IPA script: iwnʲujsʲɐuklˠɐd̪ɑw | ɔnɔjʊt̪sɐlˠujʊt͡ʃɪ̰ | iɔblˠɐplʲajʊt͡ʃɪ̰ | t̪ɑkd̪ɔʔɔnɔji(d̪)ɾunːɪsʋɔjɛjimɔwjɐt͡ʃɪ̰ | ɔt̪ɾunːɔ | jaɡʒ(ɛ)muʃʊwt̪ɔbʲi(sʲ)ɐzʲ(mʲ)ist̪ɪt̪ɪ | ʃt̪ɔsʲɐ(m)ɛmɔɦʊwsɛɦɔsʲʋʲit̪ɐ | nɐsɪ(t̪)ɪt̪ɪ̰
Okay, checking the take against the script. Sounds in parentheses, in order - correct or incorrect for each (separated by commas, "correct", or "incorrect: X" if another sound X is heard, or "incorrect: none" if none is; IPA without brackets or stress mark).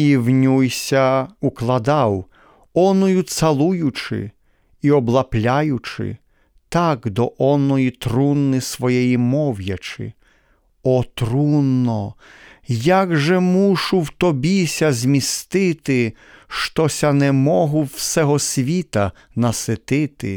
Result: incorrect: t̪, correct, correct, correct, incorrect: n, correct